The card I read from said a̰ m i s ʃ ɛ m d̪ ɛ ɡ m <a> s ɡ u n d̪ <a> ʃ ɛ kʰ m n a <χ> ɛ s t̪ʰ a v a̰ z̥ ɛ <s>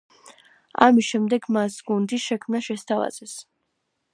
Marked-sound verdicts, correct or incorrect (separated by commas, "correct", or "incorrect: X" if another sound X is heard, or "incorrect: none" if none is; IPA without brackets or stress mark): correct, incorrect: i, incorrect: ʃ, correct